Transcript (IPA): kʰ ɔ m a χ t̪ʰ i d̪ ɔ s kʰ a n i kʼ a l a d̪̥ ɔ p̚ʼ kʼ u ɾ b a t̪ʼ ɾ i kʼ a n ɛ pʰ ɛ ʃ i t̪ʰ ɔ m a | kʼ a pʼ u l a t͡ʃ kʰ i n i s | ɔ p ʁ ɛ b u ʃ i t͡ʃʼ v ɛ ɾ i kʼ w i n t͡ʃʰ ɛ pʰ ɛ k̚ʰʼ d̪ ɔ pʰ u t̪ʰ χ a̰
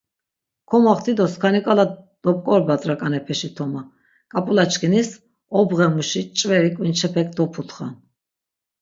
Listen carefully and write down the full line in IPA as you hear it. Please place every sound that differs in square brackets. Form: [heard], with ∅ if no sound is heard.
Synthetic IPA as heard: kʰ ɔ m a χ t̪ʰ i d̪ ɔ s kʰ a n i kʼ a l a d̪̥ ɔ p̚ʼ kʼ [ɔ] ɾ b a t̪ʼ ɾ [a] kʼ a n ɛ pʰ ɛ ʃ i t̪ʰ ɔ m a | kʼ a pʼ u l a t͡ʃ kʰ i n i s | ɔ [b] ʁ ɛ [m] u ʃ i t͡ʃʼ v ɛ ɾ i kʼ w i n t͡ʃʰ ɛ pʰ ɛ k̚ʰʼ d̪ ɔ pʰ u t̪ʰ χ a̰